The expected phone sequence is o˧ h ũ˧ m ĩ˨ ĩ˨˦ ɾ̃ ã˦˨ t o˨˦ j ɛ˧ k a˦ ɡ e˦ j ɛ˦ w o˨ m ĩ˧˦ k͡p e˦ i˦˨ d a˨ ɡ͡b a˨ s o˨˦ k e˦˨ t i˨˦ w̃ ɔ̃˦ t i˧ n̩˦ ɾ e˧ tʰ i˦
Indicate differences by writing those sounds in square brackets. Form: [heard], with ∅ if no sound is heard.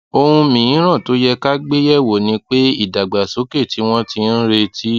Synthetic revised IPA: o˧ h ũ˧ m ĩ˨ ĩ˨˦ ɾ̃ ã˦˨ t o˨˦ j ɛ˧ k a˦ [ɡ͡b] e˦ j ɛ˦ w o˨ [n] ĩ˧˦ k͡p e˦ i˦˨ d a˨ ɡ͡b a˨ s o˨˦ k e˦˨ t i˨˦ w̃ ɔ̃˦ t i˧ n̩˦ ɾ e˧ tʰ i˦